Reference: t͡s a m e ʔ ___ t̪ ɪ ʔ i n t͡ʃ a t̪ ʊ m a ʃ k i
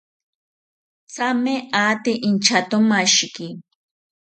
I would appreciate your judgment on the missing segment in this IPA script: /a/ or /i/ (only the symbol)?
a